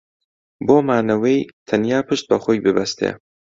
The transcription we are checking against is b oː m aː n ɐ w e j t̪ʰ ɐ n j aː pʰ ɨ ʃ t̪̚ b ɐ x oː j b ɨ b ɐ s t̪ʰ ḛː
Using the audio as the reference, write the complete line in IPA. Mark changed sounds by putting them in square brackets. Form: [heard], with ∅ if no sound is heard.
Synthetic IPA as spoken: b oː m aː n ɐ w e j t̪ʰ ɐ n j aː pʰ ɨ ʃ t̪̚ b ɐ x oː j b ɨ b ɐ s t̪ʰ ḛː